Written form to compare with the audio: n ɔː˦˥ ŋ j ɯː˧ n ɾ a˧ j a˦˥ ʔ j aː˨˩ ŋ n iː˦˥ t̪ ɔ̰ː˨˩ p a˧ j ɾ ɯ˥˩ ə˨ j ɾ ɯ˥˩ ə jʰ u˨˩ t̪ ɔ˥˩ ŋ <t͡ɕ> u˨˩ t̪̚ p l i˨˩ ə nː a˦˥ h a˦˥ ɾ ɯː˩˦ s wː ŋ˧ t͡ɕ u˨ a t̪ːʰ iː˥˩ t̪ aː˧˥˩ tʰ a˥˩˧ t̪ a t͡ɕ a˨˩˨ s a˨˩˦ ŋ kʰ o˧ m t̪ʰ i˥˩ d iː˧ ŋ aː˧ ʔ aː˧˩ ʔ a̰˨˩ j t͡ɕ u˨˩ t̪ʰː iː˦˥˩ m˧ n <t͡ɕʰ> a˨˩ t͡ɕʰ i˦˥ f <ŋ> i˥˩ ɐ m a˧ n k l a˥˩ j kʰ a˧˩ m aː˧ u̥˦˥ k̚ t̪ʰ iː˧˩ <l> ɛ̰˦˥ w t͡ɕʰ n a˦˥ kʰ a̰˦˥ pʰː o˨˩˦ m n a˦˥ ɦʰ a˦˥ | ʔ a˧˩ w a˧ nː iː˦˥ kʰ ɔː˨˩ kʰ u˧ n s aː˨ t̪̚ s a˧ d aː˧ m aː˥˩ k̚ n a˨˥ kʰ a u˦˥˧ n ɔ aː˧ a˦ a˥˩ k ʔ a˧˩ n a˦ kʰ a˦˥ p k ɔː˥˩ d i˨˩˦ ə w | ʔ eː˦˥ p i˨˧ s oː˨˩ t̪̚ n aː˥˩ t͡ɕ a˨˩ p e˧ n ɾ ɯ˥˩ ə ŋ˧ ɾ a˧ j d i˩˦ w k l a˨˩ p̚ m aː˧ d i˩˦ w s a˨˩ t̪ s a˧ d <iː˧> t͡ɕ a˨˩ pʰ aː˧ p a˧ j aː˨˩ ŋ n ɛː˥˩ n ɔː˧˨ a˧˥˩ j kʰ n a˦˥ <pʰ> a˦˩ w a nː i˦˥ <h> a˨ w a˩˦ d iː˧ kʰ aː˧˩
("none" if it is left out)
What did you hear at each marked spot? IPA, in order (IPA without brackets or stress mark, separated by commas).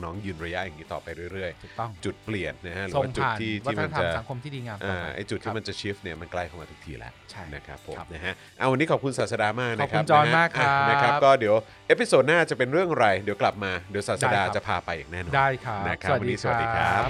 t͡ɕ, t͡ɕ, n, l, aː˧, kʰ, s